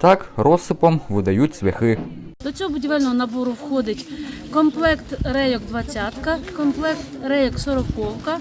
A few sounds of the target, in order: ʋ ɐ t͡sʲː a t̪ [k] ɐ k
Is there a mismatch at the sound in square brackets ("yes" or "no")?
no